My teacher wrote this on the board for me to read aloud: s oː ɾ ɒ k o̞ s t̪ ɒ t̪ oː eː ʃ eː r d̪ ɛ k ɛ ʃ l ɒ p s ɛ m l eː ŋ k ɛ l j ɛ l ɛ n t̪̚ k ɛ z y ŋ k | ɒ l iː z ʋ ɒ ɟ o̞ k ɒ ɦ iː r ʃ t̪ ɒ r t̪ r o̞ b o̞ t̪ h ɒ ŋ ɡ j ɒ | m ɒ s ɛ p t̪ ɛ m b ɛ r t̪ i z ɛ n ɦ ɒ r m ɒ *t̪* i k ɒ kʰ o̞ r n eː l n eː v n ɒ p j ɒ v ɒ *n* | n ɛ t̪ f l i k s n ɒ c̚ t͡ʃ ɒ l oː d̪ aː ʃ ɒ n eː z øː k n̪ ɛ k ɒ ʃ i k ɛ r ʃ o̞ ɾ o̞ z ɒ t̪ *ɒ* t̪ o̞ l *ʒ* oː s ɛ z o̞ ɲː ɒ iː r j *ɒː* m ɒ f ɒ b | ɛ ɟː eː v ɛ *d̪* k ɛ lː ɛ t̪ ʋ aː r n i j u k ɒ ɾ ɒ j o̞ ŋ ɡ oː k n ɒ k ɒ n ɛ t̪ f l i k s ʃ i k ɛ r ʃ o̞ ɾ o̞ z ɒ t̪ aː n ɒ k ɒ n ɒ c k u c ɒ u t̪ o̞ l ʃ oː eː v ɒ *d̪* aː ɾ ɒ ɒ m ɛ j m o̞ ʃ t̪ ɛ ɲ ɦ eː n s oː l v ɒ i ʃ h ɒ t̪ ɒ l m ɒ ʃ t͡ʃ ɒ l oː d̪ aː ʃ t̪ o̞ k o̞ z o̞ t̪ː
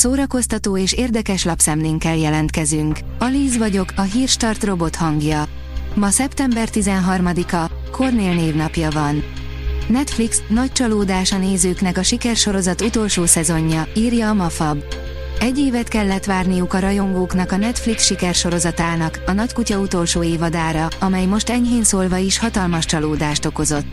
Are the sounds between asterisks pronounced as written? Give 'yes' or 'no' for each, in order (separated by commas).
no, yes, no, no, yes, no, yes